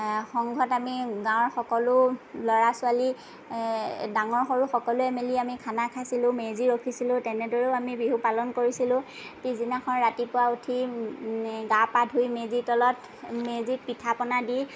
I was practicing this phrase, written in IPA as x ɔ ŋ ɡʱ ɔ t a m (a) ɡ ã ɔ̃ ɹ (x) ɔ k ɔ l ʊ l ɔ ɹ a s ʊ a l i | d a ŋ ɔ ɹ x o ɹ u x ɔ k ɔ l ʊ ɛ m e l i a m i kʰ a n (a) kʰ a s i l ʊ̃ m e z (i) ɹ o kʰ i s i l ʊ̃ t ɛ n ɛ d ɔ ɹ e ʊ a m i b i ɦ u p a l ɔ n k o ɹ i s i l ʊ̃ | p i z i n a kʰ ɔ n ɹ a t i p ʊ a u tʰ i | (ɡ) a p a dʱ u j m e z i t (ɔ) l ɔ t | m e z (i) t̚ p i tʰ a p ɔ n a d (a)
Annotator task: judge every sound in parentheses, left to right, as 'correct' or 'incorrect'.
incorrect: i, correct, correct, correct, correct, correct, correct, incorrect: i

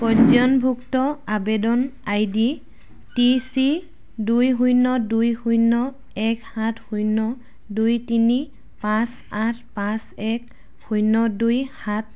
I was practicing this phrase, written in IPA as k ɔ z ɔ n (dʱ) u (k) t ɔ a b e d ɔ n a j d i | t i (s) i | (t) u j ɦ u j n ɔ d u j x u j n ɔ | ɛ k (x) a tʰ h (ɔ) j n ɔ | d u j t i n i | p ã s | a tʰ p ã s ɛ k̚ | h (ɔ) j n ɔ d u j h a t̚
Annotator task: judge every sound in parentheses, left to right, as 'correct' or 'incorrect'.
incorrect: bʱ, correct, correct, incorrect: d, incorrect: h, incorrect: u, incorrect: u

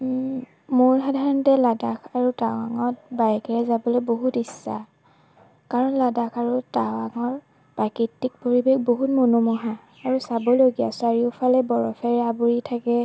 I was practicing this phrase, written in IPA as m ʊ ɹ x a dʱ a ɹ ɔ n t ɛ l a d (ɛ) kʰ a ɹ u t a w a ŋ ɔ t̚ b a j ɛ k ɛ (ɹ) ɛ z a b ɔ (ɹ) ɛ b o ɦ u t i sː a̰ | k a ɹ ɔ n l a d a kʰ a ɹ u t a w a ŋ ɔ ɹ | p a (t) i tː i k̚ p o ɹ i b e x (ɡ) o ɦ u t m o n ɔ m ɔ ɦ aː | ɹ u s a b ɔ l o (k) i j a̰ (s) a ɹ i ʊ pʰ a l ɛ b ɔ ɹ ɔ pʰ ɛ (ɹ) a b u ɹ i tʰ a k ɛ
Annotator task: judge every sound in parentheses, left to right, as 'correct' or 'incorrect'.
incorrect: a, correct, incorrect: l, incorrect: k, incorrect: b, incorrect: ɡ, correct, correct

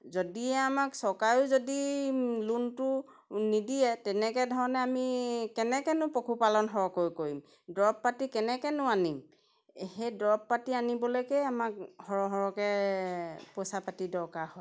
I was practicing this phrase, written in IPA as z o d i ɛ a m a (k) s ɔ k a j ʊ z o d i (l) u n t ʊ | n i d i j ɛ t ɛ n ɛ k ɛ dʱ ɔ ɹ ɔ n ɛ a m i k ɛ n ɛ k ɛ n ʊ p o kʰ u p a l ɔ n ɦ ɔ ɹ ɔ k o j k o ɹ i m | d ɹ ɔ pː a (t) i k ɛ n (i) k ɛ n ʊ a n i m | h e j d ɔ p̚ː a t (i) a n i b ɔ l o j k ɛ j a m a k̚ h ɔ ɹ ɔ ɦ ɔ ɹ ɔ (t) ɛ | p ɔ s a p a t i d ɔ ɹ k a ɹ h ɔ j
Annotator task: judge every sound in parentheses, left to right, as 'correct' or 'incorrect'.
correct, correct, correct, incorrect: ɛ, correct, incorrect: k

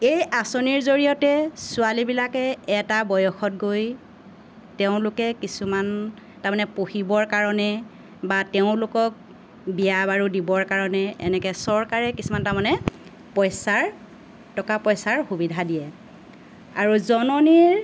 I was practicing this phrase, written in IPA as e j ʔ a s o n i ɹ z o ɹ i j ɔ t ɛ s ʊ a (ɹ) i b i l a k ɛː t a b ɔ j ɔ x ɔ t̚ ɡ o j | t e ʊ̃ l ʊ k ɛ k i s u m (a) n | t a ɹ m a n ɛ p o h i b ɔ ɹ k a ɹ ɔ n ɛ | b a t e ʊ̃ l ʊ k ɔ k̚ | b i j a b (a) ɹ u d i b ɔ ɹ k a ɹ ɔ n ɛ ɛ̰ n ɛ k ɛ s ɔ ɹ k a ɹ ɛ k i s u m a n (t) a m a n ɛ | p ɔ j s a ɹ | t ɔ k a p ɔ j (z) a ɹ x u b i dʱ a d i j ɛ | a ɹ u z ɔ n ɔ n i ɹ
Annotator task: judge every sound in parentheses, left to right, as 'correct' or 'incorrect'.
incorrect: l, correct, correct, correct, incorrect: s

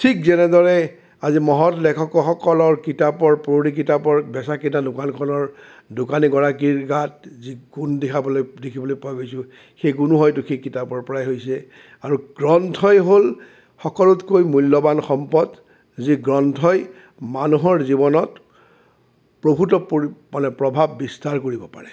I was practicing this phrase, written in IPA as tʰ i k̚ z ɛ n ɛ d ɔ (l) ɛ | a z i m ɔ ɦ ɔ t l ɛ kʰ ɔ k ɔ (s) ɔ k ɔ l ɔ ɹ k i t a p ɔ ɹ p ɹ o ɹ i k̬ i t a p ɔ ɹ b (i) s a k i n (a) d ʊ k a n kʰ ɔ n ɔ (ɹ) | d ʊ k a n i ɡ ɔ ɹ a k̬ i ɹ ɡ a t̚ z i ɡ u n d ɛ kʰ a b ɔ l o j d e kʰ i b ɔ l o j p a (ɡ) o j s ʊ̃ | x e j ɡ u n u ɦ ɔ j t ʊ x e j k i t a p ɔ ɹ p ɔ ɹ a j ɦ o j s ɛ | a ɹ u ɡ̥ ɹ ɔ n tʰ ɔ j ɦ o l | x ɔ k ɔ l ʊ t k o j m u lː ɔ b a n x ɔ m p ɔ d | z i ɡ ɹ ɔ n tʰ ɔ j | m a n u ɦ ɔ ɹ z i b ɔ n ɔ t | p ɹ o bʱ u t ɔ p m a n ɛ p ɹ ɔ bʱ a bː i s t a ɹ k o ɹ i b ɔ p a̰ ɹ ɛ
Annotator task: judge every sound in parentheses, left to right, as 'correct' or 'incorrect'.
incorrect: ɹ, incorrect: x, incorrect: ɛ, correct, correct, correct

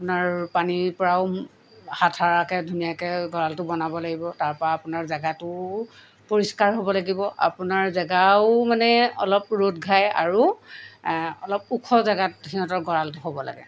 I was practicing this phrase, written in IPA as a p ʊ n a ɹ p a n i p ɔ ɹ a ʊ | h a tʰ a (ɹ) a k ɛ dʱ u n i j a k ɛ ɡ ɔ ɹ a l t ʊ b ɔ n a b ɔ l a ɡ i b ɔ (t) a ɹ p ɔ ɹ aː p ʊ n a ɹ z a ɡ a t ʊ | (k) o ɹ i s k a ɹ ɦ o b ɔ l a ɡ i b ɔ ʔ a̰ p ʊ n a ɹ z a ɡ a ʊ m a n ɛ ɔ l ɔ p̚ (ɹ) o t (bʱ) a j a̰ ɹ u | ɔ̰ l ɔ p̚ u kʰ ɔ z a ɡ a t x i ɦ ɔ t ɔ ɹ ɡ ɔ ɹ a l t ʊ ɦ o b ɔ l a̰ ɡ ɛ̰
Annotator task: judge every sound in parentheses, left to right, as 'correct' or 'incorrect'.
correct, correct, incorrect: p, correct, incorrect: ɡʱ

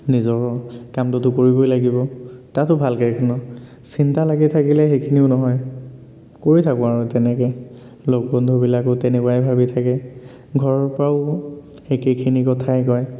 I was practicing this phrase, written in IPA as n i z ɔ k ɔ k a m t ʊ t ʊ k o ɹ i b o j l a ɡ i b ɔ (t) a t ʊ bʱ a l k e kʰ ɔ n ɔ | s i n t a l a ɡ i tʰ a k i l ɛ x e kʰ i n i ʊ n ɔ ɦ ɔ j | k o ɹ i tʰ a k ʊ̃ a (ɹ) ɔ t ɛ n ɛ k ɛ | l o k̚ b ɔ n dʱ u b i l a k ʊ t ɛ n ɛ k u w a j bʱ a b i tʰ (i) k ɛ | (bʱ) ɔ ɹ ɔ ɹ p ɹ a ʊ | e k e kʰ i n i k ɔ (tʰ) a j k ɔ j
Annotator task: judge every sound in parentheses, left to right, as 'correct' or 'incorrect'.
correct, correct, incorrect: a, incorrect: ɡʱ, correct

